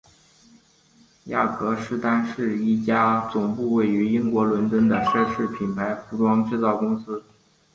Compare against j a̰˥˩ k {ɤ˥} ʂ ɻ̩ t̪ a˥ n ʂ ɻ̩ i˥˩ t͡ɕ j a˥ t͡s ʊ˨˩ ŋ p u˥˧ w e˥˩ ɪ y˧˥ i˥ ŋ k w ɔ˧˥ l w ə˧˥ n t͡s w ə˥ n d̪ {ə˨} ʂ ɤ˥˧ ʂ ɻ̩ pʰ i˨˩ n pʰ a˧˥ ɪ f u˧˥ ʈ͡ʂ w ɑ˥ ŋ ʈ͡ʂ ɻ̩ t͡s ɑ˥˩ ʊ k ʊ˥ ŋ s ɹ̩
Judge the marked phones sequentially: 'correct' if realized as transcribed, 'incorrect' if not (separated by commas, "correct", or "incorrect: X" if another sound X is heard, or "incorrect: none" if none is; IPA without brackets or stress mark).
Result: incorrect: ɤ˧˥, correct